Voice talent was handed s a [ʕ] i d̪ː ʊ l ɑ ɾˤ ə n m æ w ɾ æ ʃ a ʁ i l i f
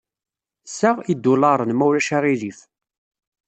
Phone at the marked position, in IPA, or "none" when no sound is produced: ʁ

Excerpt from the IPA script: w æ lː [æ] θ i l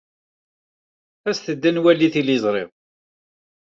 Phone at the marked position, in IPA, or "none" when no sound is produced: i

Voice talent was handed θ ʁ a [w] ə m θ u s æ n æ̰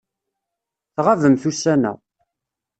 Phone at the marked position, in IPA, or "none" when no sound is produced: v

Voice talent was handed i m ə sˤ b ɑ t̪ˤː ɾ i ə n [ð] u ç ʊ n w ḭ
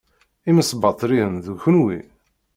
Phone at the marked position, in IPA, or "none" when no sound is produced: ð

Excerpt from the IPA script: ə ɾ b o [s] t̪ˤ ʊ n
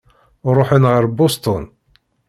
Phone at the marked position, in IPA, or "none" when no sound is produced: s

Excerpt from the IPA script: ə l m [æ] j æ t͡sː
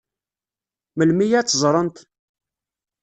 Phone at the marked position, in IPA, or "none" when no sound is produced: i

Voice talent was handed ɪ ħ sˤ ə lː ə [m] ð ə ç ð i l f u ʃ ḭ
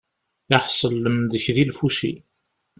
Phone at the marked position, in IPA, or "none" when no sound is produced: m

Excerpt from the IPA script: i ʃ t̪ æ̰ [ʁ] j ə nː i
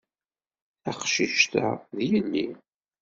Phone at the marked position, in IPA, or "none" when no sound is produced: ð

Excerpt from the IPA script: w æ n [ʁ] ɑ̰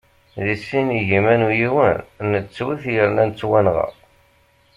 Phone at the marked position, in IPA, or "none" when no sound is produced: ʁ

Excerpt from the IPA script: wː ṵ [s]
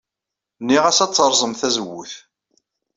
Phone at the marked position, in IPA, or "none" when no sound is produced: θ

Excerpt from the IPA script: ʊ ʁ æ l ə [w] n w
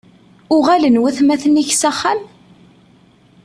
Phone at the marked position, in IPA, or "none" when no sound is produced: none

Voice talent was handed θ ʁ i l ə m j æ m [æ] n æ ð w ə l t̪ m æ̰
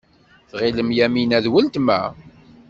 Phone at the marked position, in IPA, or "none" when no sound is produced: i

